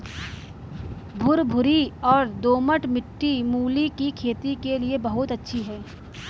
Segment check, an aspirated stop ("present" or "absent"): present